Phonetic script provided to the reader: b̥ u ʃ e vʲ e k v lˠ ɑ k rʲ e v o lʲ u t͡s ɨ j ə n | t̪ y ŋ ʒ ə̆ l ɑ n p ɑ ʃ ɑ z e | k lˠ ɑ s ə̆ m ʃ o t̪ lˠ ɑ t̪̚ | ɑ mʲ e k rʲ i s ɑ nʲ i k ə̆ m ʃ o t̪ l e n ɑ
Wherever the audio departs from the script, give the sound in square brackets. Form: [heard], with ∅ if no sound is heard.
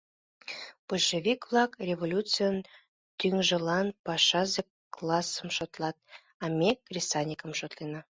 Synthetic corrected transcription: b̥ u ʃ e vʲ [i] k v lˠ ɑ k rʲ e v o lʲ u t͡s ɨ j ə n | t̪ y ŋ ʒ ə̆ l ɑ n p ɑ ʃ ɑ z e | k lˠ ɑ s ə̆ m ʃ o t̪ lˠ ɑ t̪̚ | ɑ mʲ e k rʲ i s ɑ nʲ i k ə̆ m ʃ o t̪ l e n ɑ